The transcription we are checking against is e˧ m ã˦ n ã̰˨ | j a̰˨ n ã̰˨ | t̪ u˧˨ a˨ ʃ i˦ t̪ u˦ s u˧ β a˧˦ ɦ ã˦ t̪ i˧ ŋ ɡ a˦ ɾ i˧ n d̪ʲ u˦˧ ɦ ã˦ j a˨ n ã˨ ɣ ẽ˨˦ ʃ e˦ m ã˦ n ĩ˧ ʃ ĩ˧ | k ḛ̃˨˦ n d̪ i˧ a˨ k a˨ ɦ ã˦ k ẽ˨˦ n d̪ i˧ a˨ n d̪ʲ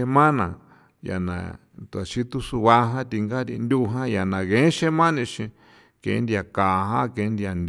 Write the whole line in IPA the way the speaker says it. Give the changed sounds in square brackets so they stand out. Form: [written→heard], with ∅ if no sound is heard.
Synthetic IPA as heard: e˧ m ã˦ n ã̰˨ | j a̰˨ n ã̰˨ | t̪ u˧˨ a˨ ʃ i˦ t̪ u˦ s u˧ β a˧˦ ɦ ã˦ t̪ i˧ ŋ ɡ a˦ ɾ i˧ n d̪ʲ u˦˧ ɦ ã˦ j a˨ n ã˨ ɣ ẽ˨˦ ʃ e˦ m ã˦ n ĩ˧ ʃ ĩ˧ | k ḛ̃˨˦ n d̪ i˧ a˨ k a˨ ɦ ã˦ k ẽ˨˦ n d̪ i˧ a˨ n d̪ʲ